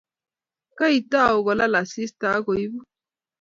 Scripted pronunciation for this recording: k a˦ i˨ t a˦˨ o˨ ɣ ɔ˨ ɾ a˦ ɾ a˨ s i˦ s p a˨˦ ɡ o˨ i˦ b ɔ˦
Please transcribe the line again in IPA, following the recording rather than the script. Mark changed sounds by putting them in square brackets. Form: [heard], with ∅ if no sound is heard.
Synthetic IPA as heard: k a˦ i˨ t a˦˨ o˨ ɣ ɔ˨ [l] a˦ [l] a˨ s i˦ s [t] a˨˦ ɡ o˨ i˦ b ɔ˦